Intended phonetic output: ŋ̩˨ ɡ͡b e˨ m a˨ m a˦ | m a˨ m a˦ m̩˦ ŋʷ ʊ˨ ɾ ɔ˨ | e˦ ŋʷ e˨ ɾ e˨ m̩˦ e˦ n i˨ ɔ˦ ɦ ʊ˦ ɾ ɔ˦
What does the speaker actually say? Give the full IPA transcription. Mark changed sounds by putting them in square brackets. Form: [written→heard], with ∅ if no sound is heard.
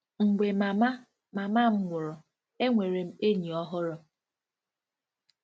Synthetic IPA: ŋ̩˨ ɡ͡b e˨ m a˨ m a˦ | m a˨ m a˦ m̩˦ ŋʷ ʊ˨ ɾ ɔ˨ | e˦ ŋʷ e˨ ɾ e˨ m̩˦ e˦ [n→ɲ] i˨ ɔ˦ ɦ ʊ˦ ɾ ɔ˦